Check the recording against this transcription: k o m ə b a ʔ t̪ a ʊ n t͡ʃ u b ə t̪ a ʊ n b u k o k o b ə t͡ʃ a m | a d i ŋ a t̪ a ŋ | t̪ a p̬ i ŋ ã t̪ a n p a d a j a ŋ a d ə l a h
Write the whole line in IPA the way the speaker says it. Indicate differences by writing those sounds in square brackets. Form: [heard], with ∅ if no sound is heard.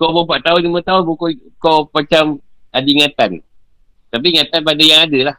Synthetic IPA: k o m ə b a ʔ t̪ a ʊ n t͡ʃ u [m] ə t̪ a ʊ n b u k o k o [p] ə t͡ʃ a m | a d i ŋ a t̪ a [n] | t̪ a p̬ i ŋ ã t̪ a n p a d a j a ŋ a d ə l a h